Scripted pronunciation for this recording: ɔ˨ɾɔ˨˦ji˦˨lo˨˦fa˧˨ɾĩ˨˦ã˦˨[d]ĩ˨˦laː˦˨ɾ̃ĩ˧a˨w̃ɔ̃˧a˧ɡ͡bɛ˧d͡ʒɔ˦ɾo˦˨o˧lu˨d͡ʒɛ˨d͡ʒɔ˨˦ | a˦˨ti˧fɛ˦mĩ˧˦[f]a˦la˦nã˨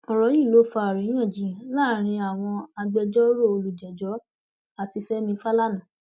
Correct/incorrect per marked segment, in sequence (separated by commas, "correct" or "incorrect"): incorrect, correct